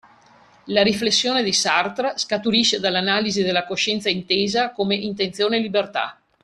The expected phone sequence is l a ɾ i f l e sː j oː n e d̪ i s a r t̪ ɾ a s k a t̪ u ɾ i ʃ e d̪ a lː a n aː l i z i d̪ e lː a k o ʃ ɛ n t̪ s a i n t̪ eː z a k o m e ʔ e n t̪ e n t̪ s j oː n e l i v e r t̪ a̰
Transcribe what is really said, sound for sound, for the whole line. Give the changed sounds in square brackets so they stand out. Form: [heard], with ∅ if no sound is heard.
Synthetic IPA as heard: l a ɾ i f l e sː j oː n e d̪ i s a r t̪ ɾ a s k a t̪ u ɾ i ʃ e d̪ a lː a n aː l i z i d̪ e lː a k o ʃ ɛ n t̪ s a i n t̪ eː z a k o m e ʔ [i] n t̪ e n t̪ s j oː n e l i [b] e r t̪ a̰

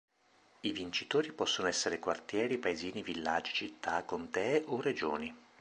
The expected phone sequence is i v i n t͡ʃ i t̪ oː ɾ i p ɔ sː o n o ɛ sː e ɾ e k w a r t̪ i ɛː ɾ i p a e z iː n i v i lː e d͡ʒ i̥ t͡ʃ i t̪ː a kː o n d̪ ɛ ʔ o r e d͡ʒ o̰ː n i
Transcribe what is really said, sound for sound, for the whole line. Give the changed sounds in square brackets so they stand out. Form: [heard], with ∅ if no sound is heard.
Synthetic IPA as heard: i v i n t͡ʃ i t̪ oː ɾ i p ɔ sː o n o ɛ sː e ɾ e k w a r t̪ [j] ɛː ɾ i p a e z iː n i v i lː [a] d͡ʒ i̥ t͡ʃ i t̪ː a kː o n [t̪] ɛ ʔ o r e d͡ʒ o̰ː n i

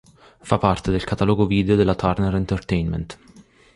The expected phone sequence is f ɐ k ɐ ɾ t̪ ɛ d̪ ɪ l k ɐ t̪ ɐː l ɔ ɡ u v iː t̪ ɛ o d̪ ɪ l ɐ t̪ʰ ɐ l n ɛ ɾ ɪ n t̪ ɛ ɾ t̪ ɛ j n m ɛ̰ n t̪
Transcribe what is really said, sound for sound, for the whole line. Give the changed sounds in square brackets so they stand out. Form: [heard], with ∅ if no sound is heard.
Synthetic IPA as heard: f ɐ [p] ɐ ɾ t̪ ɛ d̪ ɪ l k ɐ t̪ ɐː l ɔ ɡ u v iː [d̪] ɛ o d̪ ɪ l ɐ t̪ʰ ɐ [ɾ] n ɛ ɾ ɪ n t̪ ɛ ɾ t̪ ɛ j n m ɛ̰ n t̪

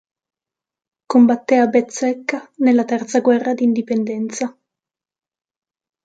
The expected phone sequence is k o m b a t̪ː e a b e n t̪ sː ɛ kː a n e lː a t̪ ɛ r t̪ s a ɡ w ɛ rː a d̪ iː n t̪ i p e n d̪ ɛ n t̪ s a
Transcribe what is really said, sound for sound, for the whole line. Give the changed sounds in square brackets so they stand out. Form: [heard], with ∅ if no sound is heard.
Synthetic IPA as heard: k o m b a t̪ː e a b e [∅] t̪ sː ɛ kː a n e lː a t̪ ɛ r t̪ s a ɡ w ɛ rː a d̪ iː n [d̪] i p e n d̪ ɛ n t̪ s a

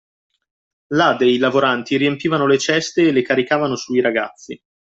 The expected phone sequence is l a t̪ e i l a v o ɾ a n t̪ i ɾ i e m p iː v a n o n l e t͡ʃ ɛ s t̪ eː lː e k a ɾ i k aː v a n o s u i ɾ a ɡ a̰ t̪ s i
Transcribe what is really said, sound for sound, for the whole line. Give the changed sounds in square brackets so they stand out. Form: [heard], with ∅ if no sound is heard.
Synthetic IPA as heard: l a [d̪] e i l a v o ɾ a n t̪ i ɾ i e m p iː v a n o [∅] l e t͡ʃ ɛ s t̪ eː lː e k a ɾ i k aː v a n o s u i ɾ a ɡ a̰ t̪ [sː] i

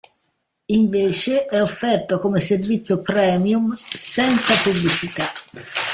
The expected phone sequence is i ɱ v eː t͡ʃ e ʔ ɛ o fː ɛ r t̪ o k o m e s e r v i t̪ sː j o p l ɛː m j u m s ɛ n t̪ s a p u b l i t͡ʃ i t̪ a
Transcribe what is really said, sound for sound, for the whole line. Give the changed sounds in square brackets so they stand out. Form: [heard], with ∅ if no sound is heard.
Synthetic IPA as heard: i ɱ v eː t͡ʃ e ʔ ɛ o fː ɛ r t̪ o k o m e s e r v i t̪ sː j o p [ɾ] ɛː m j u m s ɛ n t̪ s a p u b l i t͡ʃ i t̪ a

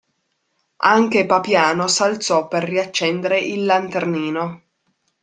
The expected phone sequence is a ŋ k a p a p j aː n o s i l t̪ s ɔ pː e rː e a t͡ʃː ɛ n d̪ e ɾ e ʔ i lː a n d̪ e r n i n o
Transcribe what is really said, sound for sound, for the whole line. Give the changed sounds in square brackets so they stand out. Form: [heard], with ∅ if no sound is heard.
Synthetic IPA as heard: a ŋ k [e] p a p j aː n o s [a] l t̪ s ɔ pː e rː [i] a t͡ʃː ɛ n d̪ e ɾ e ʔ i lː a n [t̪] e r n [iː] n o

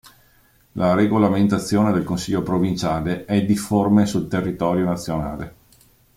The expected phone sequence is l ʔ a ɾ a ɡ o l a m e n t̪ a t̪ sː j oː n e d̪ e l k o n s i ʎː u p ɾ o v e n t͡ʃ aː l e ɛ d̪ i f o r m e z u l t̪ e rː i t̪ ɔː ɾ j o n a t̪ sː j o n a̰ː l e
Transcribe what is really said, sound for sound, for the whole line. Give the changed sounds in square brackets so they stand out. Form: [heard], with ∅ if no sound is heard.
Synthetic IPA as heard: l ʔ a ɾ [e] ɡ o l a m e n t̪ a t̪ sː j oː n e d̪ e l k o n s i ʎː [o] p ɾ o v [i] n t͡ʃ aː l e ɛ d̪ i f o r m e [s] u l t̪ e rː i t̪ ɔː ɾ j o n a t̪ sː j o n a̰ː l e

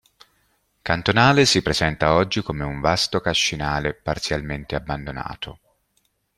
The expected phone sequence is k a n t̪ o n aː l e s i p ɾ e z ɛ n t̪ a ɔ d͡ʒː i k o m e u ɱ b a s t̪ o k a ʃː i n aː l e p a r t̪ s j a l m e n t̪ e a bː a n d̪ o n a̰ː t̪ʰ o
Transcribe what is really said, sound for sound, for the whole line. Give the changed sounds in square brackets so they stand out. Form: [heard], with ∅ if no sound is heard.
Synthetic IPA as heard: k a n t̪ o n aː l e s i p ɾ e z ɛ n t̪ a ɔ d͡ʒː i k o m e u ɱ [v] a s t̪ o k a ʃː i n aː l e p a r t̪ s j a l m e n t̪ e a bː a n d̪ o n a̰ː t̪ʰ o

